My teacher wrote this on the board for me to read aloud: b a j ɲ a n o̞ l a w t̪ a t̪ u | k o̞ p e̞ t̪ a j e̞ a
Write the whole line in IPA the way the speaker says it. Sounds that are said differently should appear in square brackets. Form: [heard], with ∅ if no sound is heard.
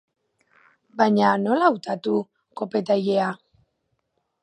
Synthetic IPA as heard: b a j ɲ a n o̞ l a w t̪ a t̪ u | k o̞ p e̞ t̪ a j e̞ a